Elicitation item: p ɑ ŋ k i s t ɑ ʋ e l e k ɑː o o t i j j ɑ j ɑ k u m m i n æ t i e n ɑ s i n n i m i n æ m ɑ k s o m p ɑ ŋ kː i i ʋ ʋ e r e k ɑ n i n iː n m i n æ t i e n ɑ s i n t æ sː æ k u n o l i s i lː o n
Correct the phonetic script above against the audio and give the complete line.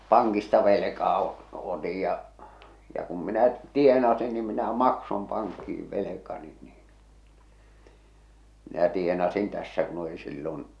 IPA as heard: p ɑ ŋ k i s t ɑ ʋ e l e k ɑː o o t i j j ɑ j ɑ k u m m i n æ t i e n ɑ s i n n i m i n æ m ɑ k s o m p ɑ ŋ kː i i ʋ ʋ e l e k ɑ n i n iː n m i n æ t i e n ɑ s i n t æ sː æ k u n o l i s i lː o n

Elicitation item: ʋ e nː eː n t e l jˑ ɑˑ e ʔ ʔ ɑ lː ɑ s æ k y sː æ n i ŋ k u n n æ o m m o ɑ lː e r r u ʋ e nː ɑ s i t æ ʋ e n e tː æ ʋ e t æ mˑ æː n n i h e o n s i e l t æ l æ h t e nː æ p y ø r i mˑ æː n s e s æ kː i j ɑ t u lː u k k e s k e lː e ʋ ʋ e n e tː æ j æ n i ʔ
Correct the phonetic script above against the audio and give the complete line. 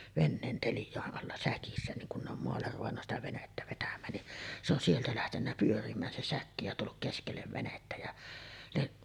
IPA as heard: ʋ e nː eː n t e l jˑ ɑˑ e ʔ ʔ ɑ lː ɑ s æ k i sː æ n i ŋ k u n n e o m m o ɑ lː e r r u ʋ e nː ɑ s i t æ ʋ e n e tː æ ʋ e t æ mˑ æː n n i s e o n s i e l t æ l æ h t e nː æ p y ø r i mˑ æː n s e s æ kː i j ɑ t u lː u k k e s k e lː e ʋ ʋ e n e tː æ j æ n i ʔ

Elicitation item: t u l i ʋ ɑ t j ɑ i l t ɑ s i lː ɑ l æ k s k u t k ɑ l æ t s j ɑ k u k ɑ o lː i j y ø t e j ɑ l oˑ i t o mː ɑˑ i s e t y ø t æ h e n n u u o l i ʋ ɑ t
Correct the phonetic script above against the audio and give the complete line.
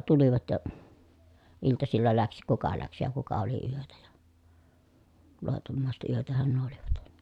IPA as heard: t u l i ʋ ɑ t j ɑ i l t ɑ s i lː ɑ l æ k s k u k ɑ l æ k s j ɑ k u k ɑ o l i y ø t æ j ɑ l oˑ i t o mː ɑˑ i s e t y ø t æ h æ n n u o o l i ʋ ɑ t

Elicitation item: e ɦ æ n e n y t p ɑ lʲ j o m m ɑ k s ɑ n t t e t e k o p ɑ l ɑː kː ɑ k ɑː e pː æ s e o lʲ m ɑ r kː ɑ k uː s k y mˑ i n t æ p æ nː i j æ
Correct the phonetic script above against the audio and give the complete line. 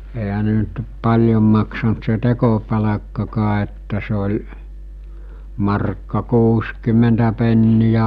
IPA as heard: e ɦ æ n e n y t p ɑ lʲ j o m m ɑ k s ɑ n t s e t e k o p ɑ l ɑ kː ɑ k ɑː e tː æ s e o lʲ m ɑ r kː ɑ k uː s k y mˑ e n t æ p e nː i j æ

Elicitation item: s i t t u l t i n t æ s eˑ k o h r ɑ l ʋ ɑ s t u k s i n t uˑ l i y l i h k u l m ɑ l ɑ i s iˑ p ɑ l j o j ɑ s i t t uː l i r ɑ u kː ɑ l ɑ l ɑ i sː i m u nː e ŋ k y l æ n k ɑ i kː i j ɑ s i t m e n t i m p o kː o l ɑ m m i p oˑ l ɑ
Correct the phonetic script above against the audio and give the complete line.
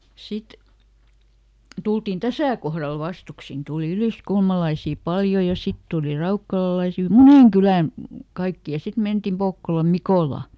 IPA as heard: s i t t u l t i n t æ s æˑ k o h r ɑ l ʋ ɑ s t u k s i n t uˑ l i y l i s k u l m ɑ l ɑ i s iˑ p ɑ l j o j ɑ s i t t uː l i r ɑ u kː ɑ l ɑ l ɑ i s i m u n e ŋ k y l æ n k ɑ i kː i j ɑ s i t m e n t i m p o kː o l ɑ m m i k oˑ l ɑ

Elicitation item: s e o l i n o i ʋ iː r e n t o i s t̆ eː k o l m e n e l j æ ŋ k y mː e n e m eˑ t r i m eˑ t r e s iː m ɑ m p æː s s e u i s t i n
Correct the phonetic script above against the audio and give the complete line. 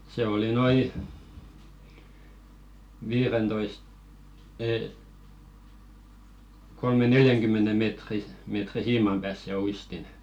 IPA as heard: s e o l i n o i ʋ iː r e n t o i s t̆ eː k o l m e n e l j æ ŋ k y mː e n e m eˑ t r i m eˑ t r i s iː m ɑ m p æː s s e u i s t i n

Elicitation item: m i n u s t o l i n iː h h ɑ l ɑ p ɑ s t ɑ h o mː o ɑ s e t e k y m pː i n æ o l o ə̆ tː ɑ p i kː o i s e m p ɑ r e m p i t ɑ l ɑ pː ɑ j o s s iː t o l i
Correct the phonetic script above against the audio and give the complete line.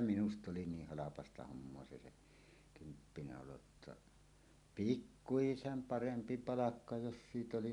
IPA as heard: m i n u s t o l i n iː h h ɑ l ɑ p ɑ s t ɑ h o mː o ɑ s e s e k y m pː i n æ o l o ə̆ tː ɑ p i kː u i s e m p ɑ r e m p i p ɑ l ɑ kː ɑ j o s s iː t o l i

